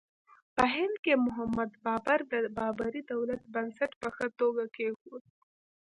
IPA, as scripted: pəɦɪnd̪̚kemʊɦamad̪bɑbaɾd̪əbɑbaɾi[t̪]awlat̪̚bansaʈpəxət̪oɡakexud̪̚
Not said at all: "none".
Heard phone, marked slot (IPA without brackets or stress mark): d̪